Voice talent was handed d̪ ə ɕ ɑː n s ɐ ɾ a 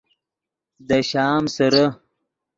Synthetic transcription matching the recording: d̪ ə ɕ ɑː m s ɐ ɾ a